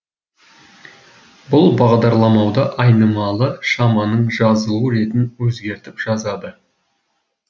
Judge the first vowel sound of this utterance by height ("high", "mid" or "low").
high